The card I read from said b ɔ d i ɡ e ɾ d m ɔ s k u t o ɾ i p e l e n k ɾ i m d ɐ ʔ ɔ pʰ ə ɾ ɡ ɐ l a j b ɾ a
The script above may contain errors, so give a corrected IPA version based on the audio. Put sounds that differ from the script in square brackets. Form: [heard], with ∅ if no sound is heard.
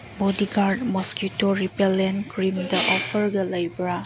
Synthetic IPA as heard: b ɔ d i ɡ [a] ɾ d m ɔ s k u t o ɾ i p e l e n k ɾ i m d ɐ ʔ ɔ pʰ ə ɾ ɡ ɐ l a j b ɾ a